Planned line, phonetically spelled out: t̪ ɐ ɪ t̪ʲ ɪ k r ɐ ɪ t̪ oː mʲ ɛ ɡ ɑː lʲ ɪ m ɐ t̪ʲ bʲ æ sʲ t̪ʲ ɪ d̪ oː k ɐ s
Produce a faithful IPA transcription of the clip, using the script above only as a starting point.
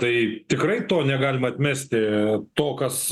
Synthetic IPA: t̪ ɐ ɪ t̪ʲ ɪ k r ɐ ɪ t̪ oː nʲ ɛ ɡ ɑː lʲ ɪ m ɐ t̪ʲ mʲ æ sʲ t̪ʲ ɪ t̪ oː k ɐ s